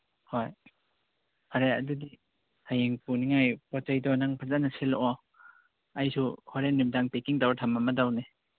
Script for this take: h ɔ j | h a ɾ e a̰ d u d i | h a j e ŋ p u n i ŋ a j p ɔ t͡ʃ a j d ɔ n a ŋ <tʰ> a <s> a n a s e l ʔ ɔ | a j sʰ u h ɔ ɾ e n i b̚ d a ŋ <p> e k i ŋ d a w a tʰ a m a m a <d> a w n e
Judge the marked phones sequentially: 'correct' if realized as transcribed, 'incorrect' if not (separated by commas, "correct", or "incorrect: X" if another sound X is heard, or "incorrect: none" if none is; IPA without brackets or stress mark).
incorrect: pʰ, incorrect: z, correct, correct